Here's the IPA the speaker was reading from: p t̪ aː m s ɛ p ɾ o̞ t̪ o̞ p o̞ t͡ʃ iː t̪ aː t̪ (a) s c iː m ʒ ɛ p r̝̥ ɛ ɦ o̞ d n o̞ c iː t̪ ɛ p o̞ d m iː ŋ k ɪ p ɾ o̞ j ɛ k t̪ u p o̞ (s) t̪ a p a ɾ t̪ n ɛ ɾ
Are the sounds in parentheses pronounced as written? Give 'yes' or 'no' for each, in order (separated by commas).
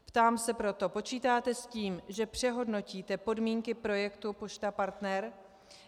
no, no